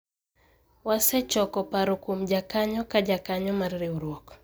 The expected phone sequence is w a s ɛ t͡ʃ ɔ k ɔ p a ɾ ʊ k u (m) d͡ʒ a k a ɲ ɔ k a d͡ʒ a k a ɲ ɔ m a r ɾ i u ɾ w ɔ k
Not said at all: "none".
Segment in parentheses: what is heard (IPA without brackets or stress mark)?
m